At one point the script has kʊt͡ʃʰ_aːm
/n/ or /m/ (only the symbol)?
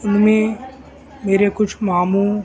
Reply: m